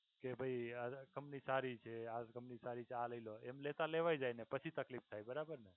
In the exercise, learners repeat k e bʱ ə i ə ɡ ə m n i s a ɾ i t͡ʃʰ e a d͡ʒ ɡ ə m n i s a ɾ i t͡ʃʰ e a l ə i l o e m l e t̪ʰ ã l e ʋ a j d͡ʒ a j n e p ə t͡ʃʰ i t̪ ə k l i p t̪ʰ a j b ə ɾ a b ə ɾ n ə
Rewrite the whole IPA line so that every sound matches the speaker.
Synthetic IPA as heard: k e bʱ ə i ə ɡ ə m n i s a ɾ i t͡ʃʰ e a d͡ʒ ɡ ə m n i s a ɾ i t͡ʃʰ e a l ə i l o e m l e t̪ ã l e ʋ a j d͡ʒ a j n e p ə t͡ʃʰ i t̪ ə k l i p t̪ʰ a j b ə ɾ a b ə ɾ n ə

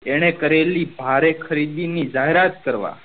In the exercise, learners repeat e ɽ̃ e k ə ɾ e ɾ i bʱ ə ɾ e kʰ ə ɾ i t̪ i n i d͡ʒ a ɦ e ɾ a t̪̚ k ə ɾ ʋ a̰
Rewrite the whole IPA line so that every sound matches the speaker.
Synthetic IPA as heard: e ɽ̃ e k ə ɾ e l i bʱ a ɾ e kʰ ə ɾ i d̪ i n i d͡ʒ a ɦ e ɾ a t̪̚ k ə ɾ ʋ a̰

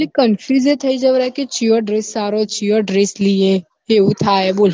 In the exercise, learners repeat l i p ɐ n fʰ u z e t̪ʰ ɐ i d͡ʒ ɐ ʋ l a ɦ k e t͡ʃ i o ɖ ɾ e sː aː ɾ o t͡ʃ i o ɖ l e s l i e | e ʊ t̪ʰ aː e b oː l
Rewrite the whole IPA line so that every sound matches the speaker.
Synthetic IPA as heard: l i k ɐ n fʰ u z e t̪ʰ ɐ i d͡ʒ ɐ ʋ ɾ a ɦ k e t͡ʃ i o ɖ ɾ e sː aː ɾ o t͡ʃ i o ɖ ɾ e s l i e | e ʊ t̪ʰ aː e b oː l

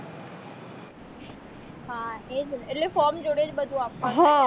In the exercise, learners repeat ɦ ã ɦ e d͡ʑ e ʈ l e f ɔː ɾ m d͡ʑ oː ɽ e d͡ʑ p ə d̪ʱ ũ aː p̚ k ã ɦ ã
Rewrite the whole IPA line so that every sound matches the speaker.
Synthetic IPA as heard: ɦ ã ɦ e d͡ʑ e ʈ l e f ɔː ɾ m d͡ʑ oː ɽ e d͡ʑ b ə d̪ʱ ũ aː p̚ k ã ɦ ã

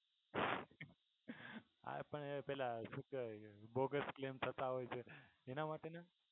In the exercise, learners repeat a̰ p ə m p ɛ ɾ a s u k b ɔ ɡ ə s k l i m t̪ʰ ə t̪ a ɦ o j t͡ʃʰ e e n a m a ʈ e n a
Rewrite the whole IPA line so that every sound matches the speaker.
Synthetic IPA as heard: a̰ p ə ɳ p ɛ l a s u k b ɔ ɡ ə s k l e m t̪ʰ ə t̪ a ɦ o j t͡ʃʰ e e n a m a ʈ e n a

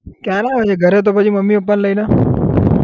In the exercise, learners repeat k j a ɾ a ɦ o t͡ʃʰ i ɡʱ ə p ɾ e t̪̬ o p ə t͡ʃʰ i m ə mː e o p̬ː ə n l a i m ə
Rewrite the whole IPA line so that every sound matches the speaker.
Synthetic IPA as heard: k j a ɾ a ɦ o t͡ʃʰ e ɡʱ ə ɾ e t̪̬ o p ə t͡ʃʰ i m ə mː i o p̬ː ə n l ə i n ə

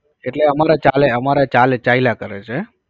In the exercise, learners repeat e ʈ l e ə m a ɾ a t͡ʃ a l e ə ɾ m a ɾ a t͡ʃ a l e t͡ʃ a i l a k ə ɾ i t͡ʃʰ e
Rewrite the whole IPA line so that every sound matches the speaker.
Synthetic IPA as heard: e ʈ l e ə m a ɾ a t͡ʃ a l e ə m a ɾ a t͡ʃ a l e t͡ʃ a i l a k ə ɾ e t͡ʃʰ e

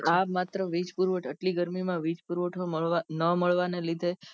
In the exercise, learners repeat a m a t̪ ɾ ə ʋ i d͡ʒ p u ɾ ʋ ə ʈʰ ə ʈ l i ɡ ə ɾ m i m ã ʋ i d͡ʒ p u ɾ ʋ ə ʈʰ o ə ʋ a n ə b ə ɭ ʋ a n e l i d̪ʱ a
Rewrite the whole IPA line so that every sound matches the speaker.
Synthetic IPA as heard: a m a t̪ ɾ ə ʋ i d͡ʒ p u ɾ ʋ ə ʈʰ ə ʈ l i ɡ ə ɾ m i m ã ʋ i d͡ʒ p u ɾ ʋ ə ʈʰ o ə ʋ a n ə m ə ɭ ʋ a n e l i d̪ʱ e

